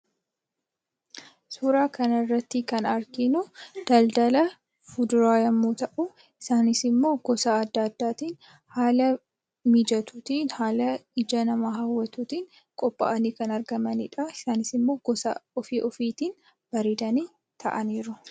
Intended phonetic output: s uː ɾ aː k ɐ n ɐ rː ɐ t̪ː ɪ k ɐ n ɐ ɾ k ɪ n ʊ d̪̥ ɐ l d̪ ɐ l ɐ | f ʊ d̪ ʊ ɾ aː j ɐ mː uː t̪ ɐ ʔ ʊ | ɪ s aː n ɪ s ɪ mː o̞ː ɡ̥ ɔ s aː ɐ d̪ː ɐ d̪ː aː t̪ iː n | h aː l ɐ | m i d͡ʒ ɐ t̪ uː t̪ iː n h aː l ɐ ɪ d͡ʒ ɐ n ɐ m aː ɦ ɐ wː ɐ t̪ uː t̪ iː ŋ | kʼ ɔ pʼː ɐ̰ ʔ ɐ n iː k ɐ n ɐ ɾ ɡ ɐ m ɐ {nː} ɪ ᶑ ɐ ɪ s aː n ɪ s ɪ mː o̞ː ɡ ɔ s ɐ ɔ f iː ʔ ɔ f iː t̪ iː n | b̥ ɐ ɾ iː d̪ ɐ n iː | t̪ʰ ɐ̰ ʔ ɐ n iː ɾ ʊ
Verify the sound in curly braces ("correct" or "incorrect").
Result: incorrect